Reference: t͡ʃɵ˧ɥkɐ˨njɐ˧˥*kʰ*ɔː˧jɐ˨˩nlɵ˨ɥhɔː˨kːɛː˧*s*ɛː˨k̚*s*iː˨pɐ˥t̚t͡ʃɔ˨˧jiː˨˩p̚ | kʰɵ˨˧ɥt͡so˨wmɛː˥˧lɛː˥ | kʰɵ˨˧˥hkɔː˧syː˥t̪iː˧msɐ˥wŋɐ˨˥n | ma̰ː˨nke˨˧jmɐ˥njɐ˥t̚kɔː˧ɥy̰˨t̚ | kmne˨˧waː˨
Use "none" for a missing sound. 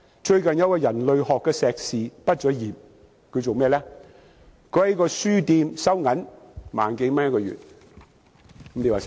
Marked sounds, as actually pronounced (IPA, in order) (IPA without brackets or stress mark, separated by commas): k, s, s